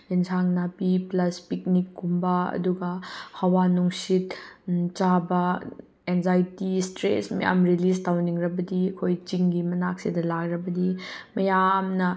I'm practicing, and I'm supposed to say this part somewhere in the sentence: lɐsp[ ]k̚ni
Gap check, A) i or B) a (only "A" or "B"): A